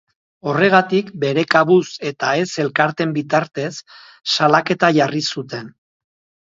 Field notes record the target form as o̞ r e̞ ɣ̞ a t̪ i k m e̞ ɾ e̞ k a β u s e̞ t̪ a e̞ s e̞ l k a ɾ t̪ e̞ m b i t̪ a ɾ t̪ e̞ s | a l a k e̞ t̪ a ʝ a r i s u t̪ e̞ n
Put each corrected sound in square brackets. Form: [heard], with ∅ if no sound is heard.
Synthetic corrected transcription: o̞ r e̞ ɣ̞ a t̪ i k [b] e̞ ɾ e̞ k a β u s e̞ t̪ a e̞ s e̞ l k a ɾ t̪ e̞ m b i t̪ a ɾ t̪ e̞ [sː] | a l a k e̞ t̪ a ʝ a r i s u t̪ e̞ n